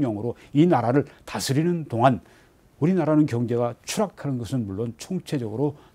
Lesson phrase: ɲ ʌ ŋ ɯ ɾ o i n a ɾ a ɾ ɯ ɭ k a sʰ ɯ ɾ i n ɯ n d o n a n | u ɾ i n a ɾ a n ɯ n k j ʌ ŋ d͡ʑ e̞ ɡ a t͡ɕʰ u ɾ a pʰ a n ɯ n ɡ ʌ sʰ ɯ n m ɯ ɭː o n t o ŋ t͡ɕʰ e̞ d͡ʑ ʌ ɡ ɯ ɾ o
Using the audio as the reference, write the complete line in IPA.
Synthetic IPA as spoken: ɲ ʌ ŋ ɯ ɾ o i n a ɾ a ɾ ɯ ɭ t a sʰ ɯ ɾ i n ɯ n d o ŋ a n | u ɾ i n a ɾ a n ɯ n k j ʌ ŋ d͡ʑ e̞ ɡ a t͡ɕʰ u ɾ a kʰ a n ɯ n ɡ ʌ sʰ ɯ n m u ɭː o n t͡ɕʰ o ŋ t͡ɕʰ e̞ d͡ʑ ʌ ɡ ɯ ɾ o